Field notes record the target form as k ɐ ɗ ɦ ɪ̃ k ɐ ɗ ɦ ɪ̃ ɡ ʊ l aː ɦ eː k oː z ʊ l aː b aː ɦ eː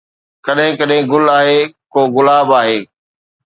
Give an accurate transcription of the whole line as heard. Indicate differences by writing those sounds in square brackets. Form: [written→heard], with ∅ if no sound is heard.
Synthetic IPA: k ɐ ɗ ɦ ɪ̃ k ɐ ɗ ɦ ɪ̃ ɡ ʊ l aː ɦ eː k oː [z→ɣ] ʊ l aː b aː ɦ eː